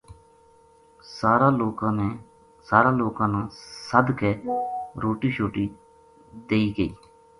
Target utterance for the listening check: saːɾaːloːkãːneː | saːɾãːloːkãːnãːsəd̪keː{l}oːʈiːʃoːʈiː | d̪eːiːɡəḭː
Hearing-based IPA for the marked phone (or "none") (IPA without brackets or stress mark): ɾ